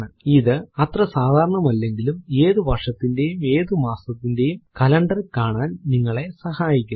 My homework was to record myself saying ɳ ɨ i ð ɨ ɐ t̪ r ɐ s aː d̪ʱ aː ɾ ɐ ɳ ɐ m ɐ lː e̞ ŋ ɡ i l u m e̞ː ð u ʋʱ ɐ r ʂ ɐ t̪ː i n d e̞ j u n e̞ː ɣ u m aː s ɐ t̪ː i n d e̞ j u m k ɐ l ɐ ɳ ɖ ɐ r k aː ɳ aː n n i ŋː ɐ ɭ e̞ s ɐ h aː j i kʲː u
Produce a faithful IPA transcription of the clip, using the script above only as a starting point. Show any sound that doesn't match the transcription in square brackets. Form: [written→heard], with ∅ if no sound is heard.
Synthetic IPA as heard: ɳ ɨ i ð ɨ ɐ t̪ r ɐ s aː d̪ʱ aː ɾ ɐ ɳ ɐ m ɐ lː e̞ ŋ ɡ i l u m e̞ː ð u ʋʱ ɐ r ʂ ɐ t̪ː i n d e̞ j u [n→m] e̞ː [ɣ→ð] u m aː s ɐ t̪ː i n d e̞ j u m k ɐ l ɐ ɳ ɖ ɐ r k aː ɳ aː n n i ŋː ɐ ɭ e̞ s ɐ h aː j i kʲː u